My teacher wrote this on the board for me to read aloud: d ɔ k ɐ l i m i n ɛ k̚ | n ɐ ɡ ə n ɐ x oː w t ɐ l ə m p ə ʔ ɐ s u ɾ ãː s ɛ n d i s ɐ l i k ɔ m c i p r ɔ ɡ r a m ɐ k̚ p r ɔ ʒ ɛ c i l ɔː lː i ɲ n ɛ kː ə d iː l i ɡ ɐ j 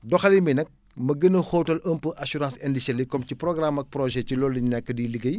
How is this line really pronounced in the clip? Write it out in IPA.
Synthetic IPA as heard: d ɔ x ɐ l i m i n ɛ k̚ | m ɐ ɡ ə n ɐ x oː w t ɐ l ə m p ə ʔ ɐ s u ɾ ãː s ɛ n d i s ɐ l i k ɔ m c i p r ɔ ɡ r a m ɐ k̚ p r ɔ ʒ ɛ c i l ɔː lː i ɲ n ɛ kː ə d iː l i ɡ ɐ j